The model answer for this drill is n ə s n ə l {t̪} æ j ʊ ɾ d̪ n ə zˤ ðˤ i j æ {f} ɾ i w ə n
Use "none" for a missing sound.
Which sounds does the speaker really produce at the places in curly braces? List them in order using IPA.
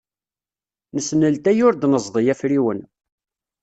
t̪, f

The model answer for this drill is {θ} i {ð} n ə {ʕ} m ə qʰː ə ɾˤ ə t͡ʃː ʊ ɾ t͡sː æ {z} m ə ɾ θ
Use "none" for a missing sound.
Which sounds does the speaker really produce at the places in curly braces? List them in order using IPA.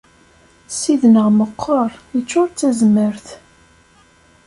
s, ð, ʁ, z

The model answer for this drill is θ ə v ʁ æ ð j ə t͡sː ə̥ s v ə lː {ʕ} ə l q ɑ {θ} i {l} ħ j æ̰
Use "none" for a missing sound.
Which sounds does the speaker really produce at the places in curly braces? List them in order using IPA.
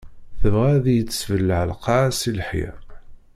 ʕ, s, l

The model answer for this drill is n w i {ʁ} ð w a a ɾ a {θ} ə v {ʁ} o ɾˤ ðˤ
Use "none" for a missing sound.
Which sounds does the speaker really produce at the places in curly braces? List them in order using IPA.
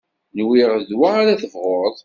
ʁ, θ, ʁ

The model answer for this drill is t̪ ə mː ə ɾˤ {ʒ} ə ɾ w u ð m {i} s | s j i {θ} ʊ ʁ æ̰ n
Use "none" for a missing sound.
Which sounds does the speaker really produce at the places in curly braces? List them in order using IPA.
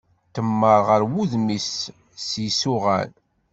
ʁ, i, s

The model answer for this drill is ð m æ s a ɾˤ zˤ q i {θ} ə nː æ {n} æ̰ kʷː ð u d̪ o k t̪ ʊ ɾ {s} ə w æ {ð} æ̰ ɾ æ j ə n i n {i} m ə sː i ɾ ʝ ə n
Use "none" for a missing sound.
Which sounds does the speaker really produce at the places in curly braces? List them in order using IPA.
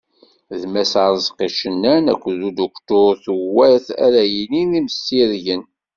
ʃ, n, θ, θ, i

